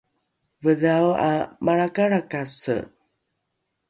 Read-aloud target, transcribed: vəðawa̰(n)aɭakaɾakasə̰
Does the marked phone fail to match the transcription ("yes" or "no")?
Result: yes